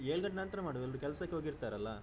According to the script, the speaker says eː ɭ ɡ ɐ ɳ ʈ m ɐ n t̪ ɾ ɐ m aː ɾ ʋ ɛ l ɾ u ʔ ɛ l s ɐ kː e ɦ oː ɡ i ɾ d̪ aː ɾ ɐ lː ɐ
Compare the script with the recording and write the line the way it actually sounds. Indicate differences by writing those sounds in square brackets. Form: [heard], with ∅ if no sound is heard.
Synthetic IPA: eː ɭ ɡ ɐ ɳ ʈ [n] ɐ n t̪ ɾ ɐ m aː [ɽ] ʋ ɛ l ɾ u [k] ɛ l s ɐ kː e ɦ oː ɡ i ɾ [t̪] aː ɾ ɐ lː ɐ